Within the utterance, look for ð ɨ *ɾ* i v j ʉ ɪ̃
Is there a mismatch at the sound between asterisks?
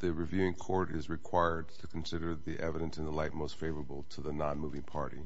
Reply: yes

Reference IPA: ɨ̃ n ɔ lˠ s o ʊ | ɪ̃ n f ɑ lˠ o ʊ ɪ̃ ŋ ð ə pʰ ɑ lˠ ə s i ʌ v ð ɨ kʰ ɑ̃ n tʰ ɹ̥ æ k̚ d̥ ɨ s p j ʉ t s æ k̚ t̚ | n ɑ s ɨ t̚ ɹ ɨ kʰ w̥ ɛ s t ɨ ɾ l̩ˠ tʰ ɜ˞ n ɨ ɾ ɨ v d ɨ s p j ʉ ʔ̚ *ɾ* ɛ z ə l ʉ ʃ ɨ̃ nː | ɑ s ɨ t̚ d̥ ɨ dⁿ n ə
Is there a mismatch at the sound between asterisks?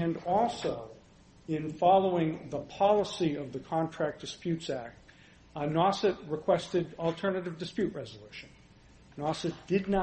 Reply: yes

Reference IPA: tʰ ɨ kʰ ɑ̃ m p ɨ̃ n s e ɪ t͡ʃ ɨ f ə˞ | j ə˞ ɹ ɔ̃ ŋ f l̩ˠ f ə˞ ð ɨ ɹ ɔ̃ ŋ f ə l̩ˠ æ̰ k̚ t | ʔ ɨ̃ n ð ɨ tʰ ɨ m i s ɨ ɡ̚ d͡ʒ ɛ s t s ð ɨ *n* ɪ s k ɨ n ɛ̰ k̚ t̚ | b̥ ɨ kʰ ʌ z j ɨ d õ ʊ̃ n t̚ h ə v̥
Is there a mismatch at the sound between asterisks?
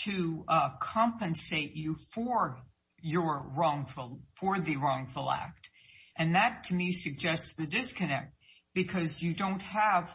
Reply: yes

